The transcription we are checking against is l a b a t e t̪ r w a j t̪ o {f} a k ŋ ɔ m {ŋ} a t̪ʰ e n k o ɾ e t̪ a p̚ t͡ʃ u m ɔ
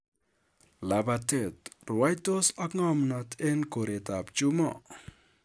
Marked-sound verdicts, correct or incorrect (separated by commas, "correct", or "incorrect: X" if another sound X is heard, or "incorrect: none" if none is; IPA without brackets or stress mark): incorrect: s, incorrect: n